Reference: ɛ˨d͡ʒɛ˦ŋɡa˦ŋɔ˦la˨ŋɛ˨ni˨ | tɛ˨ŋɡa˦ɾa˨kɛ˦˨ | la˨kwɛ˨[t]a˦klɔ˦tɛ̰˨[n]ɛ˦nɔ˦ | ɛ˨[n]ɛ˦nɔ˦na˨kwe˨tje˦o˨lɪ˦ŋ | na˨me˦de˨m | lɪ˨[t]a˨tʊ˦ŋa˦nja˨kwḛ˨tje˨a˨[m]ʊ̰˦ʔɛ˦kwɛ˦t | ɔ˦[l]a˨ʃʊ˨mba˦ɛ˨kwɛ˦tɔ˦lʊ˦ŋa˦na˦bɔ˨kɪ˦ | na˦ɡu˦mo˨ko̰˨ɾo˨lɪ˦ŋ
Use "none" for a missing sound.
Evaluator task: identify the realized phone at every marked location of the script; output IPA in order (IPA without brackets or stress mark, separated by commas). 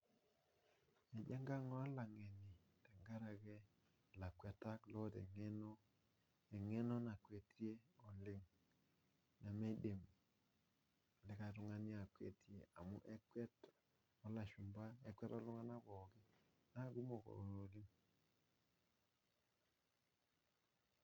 t, ŋ, ŋ, k, m, l